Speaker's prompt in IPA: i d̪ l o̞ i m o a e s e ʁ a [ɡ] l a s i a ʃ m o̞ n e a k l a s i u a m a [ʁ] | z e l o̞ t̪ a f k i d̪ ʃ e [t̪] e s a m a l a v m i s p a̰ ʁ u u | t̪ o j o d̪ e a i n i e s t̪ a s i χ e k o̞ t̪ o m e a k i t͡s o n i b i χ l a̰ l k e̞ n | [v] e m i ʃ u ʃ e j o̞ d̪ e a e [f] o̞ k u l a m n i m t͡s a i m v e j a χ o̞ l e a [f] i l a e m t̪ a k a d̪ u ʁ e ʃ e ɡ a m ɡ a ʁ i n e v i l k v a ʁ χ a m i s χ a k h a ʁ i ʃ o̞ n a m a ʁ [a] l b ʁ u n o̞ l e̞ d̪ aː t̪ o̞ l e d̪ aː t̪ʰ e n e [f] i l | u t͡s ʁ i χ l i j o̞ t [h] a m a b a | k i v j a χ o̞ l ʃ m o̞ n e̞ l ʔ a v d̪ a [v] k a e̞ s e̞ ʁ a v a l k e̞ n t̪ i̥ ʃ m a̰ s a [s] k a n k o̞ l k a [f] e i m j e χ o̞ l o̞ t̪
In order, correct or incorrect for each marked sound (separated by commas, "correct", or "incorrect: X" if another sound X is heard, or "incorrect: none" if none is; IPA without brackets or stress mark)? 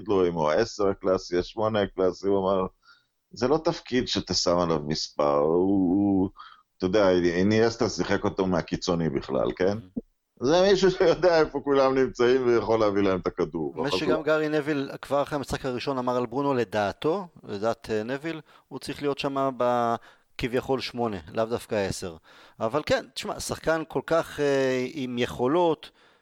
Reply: incorrect: k, correct, correct, incorrect: z, correct, incorrect: v, correct, incorrect: v, incorrect: ʃ, incorrect: f, incorrect: χ, incorrect: χ